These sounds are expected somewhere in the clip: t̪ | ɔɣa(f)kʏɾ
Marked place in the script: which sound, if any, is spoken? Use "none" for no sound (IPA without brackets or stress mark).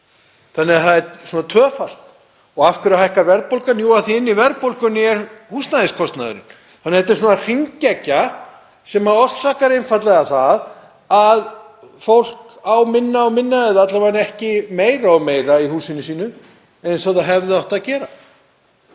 f